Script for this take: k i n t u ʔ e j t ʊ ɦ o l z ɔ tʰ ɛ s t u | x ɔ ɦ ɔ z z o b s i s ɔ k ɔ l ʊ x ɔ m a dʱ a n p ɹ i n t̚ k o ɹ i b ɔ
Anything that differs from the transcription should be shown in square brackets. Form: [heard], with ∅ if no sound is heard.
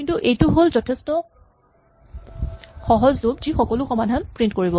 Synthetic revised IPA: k i n t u ʔ e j t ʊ ɦ o l z ɔ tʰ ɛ s t [ɔ] | x ɔ ɦ ɔ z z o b [z] i [x] ɔ k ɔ l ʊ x ɔ m a dʱ a n p ɹ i n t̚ k o ɹ i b ɔ